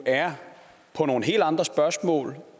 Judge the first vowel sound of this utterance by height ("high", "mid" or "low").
low